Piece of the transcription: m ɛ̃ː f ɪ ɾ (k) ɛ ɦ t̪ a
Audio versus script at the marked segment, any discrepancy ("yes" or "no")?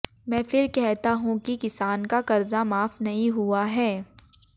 no